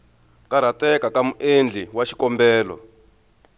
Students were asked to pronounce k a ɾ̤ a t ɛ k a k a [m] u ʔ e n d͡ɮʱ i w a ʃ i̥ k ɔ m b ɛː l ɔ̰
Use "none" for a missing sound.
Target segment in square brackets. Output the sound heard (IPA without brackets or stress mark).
m